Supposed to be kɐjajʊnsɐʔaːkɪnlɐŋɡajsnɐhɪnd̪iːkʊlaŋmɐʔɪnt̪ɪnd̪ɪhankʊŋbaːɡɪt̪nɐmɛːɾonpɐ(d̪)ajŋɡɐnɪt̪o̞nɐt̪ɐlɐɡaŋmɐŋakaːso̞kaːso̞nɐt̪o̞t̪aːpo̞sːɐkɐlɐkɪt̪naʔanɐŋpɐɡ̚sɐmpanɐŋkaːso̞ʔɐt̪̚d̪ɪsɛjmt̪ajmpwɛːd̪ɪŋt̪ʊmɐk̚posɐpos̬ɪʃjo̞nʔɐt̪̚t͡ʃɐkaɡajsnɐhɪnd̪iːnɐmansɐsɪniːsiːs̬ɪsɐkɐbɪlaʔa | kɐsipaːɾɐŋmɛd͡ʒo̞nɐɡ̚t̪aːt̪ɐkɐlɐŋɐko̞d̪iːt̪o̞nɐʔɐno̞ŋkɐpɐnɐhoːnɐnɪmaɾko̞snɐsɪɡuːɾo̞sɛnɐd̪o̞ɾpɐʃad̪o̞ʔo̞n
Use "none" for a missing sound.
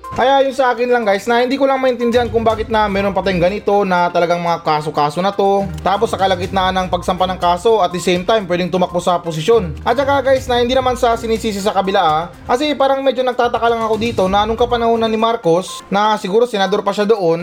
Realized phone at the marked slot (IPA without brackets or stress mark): t̪